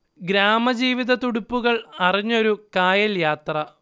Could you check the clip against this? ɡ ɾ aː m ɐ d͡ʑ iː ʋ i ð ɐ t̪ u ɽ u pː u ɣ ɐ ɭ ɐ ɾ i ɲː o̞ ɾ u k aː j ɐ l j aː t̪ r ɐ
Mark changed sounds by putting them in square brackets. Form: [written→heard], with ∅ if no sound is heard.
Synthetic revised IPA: ɡ ɾ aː m ɐ d͡ʑ iː ʋ i ð ɐ t̪ u ɽ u pː u ɣ ɐ ɭ ɐ [ɾ→r] i ɲː o̞ ɾ u k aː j ɐ l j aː t̪ r ɐ